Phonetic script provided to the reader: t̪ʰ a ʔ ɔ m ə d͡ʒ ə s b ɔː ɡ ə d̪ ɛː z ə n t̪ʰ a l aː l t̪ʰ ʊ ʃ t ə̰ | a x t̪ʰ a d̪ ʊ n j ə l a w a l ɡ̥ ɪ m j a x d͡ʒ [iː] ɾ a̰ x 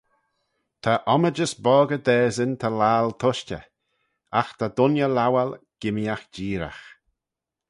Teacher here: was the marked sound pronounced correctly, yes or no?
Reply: yes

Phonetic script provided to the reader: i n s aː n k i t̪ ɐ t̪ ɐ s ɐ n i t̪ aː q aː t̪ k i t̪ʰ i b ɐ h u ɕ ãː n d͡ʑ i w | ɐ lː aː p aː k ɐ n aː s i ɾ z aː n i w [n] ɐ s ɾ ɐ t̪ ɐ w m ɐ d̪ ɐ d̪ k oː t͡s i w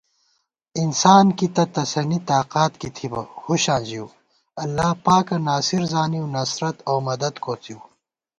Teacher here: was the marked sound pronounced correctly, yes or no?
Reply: yes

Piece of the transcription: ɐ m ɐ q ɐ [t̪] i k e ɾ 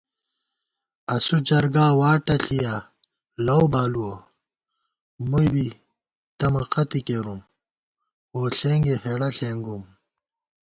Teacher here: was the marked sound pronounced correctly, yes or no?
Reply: yes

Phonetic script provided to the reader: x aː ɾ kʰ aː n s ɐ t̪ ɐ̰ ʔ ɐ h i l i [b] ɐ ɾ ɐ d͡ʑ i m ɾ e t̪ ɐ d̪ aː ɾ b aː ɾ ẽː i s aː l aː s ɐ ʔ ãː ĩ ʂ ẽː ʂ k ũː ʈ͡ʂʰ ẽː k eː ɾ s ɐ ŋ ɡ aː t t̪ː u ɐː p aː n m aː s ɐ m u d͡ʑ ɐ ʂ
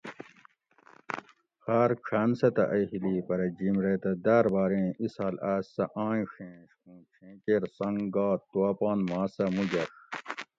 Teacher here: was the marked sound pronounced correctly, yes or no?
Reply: no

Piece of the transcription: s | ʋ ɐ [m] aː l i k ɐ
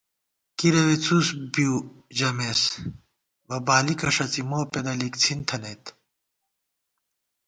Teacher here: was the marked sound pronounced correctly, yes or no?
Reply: no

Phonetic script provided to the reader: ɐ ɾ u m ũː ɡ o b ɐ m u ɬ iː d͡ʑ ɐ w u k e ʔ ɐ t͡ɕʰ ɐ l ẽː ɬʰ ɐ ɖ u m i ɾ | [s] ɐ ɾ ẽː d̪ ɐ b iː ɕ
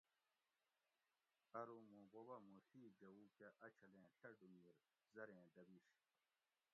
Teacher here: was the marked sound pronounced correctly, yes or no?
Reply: no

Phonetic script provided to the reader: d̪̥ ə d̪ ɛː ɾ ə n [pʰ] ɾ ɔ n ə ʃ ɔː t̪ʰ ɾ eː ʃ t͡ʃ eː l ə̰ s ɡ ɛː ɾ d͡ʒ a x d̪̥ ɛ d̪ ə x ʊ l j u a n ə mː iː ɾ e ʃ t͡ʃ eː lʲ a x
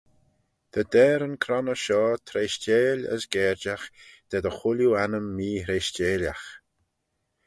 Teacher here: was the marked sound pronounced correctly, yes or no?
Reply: no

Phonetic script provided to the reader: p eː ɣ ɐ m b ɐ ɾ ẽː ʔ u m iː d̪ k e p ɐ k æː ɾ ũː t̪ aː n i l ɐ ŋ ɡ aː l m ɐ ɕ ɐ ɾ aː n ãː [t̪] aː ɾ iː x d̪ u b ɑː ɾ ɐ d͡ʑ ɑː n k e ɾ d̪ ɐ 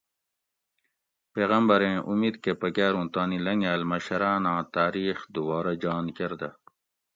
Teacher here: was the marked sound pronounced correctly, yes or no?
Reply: yes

